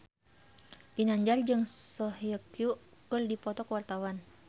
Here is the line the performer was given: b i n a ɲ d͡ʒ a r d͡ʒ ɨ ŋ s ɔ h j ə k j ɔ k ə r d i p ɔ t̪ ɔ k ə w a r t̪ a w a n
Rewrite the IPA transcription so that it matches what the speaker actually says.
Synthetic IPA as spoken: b i n a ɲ d͡ʒ a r d͡ʒ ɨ ŋ s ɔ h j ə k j u k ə r d i p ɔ t̪ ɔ k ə w a r t̪ a w a n